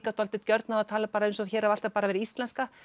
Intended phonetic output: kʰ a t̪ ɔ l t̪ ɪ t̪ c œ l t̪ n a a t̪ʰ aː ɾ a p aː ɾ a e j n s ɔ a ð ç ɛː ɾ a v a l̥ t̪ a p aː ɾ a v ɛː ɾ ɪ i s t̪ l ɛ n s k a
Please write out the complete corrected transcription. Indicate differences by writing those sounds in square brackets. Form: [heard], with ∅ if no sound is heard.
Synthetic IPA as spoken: [k] a t̪ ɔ l t̪ ɪ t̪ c œ [ɾ] t̪ n a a t̪ʰ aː [l] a p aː ɾ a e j n s ɔ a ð ç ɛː ɾ a v a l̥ t̪ a p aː ɾ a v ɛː ɾ ɪ i s t̪ l ɛ n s k a